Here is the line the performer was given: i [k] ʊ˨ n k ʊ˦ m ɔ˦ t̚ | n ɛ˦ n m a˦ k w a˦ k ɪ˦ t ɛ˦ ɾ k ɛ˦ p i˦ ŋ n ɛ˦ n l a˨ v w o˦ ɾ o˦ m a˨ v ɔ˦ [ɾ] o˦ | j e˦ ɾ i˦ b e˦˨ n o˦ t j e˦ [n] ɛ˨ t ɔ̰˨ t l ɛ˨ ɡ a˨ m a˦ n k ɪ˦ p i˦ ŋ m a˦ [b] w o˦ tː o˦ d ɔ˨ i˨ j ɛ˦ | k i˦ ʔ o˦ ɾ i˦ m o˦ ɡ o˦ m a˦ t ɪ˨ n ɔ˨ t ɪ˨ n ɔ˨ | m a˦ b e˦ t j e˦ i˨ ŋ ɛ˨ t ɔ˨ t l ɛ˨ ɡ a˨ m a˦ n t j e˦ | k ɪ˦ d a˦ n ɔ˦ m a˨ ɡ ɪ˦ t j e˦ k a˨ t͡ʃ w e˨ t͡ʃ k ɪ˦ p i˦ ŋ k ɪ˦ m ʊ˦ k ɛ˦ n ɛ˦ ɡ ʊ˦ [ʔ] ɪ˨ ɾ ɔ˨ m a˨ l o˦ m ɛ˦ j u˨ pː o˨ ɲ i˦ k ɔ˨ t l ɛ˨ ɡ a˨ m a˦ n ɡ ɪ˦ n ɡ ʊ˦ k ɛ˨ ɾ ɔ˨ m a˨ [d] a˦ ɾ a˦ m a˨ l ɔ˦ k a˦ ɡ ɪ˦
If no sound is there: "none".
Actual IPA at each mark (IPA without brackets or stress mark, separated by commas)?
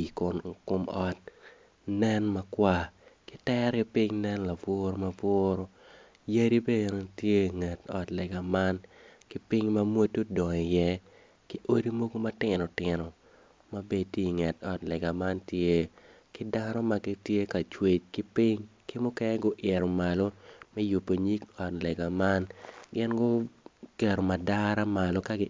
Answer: k, ɾ, ŋ, m, ʔ, d